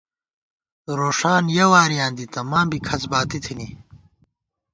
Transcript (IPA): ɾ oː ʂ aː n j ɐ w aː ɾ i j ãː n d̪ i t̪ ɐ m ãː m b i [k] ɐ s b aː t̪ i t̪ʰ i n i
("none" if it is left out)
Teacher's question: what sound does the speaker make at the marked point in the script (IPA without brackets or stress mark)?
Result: kʰ